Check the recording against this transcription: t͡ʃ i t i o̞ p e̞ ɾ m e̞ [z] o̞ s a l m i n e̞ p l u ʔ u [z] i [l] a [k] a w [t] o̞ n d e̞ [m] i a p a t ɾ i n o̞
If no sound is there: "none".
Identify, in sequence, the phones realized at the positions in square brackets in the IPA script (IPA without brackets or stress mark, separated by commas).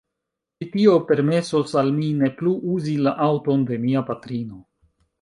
s, z, l, ʔ, t, m